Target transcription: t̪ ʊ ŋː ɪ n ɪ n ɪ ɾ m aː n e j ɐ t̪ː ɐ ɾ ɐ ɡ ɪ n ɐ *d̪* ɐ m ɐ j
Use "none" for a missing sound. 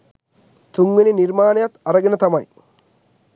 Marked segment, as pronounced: t̪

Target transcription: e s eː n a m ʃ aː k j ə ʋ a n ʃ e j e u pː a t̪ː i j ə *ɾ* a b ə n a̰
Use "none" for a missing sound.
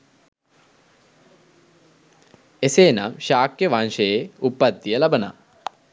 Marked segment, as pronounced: l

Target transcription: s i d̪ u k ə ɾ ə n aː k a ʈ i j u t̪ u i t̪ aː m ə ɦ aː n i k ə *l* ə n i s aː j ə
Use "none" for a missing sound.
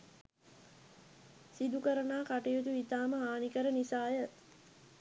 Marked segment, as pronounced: ɾ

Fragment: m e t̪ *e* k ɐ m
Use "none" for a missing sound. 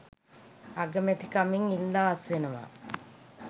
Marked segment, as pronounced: i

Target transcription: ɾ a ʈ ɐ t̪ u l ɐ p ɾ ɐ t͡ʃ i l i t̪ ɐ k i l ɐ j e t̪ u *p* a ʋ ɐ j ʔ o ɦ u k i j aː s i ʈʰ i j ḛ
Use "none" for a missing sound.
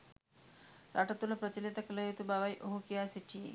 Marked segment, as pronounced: b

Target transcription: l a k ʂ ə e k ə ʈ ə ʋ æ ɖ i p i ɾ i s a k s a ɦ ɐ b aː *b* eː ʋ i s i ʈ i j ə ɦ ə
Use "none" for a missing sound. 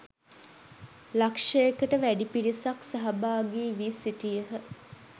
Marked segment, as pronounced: ɡ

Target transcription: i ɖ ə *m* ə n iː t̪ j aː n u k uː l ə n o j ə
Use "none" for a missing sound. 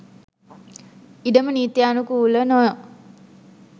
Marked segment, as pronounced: m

